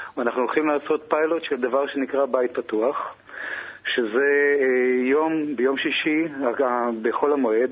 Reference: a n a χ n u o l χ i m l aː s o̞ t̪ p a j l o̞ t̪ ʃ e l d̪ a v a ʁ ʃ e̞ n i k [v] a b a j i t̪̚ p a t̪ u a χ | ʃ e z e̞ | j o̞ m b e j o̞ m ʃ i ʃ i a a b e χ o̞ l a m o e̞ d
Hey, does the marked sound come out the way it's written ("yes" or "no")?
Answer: no